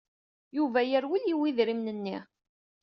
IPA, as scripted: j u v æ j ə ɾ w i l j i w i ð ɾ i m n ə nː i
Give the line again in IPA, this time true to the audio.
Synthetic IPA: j u v æ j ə ɾ w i l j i w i ð ɾ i m n ə nː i